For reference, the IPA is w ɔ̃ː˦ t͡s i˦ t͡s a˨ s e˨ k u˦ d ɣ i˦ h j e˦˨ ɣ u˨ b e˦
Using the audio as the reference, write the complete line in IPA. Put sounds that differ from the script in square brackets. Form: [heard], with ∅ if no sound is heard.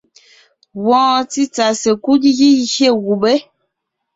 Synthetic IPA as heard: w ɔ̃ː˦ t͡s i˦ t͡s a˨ s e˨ k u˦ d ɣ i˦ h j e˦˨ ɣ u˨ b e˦